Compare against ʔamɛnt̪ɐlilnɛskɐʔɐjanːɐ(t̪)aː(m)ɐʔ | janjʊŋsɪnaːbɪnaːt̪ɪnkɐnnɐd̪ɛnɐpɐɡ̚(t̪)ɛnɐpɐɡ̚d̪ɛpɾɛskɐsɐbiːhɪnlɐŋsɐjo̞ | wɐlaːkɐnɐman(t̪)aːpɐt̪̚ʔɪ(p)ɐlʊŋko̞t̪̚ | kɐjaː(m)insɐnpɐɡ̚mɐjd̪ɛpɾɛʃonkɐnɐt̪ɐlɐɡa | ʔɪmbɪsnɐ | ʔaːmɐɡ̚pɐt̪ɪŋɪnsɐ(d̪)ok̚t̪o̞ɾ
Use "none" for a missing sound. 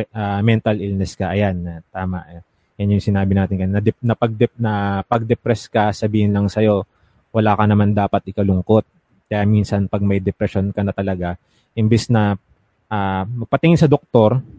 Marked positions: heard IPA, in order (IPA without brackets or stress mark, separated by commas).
t̪, m, d̪, d̪, k, m, d̪